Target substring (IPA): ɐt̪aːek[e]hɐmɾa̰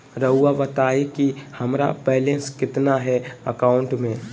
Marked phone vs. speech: incorrect: i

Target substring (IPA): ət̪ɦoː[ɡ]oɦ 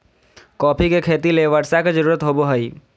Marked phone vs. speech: incorrect: b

